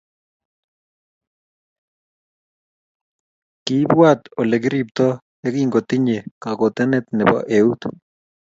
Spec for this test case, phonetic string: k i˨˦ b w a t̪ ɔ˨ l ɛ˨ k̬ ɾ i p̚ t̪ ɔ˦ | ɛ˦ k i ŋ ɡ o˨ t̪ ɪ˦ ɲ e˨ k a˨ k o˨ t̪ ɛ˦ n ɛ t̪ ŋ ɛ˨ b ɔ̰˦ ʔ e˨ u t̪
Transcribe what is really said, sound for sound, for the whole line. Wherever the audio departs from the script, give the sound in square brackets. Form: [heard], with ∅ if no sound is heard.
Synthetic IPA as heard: k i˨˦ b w a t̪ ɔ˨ l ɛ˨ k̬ ɾ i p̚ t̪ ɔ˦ | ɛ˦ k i ŋ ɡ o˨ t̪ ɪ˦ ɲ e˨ k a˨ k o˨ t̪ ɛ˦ n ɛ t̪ [n] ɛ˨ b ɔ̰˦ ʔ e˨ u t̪